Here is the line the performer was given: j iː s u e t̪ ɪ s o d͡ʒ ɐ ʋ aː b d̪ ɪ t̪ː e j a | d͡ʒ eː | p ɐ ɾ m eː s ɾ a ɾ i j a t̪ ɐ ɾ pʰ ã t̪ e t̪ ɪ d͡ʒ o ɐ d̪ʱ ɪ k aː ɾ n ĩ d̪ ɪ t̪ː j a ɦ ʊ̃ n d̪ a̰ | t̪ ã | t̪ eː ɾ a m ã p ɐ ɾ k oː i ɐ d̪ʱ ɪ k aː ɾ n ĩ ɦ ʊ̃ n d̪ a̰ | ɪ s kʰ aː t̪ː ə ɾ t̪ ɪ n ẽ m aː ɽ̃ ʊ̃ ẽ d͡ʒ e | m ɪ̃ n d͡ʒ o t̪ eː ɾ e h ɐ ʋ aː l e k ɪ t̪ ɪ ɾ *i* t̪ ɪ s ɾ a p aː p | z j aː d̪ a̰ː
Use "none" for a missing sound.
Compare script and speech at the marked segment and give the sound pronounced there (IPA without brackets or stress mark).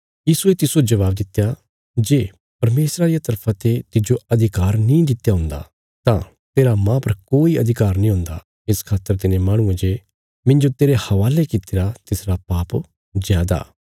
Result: a